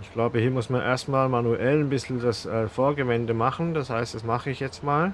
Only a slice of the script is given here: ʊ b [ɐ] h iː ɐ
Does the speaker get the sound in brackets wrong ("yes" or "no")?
yes